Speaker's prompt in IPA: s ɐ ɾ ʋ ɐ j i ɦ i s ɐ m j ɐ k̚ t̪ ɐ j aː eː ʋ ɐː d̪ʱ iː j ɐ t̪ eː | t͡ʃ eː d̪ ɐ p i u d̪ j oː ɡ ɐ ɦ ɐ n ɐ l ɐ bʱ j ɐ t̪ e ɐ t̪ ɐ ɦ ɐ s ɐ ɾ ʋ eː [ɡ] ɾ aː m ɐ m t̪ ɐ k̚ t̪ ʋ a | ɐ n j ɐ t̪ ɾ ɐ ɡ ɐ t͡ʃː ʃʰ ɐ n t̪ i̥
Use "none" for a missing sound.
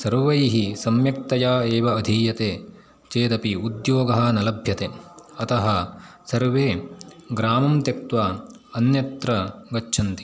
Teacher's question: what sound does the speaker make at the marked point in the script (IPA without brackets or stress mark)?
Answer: ɡ